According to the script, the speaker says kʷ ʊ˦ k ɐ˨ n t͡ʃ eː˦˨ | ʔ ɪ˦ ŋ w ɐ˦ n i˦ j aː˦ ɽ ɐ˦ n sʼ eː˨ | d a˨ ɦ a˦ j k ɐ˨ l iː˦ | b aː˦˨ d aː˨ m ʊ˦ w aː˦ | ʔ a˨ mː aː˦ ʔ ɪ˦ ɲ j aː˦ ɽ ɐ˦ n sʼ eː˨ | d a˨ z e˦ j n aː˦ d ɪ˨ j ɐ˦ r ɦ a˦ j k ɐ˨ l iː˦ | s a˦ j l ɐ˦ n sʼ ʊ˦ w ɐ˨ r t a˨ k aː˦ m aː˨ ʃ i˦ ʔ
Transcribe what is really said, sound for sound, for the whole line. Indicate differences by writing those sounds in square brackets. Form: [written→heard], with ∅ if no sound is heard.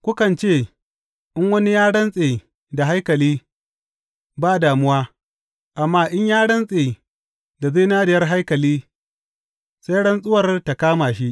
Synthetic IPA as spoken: kʷ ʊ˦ k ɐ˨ n t͡ʃ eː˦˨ | ʔ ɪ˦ ŋ w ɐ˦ n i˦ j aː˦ ɽ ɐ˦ n sʼ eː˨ | d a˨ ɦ a˦ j k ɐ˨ l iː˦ | b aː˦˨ d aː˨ m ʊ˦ w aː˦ | ʔ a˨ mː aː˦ ʔ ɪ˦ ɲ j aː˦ ɽ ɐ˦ n sʼ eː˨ | d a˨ z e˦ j n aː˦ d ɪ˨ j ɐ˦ r ɦ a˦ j k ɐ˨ l iː˦ | s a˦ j [l→ɽ] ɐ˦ n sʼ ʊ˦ w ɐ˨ r t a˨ k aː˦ m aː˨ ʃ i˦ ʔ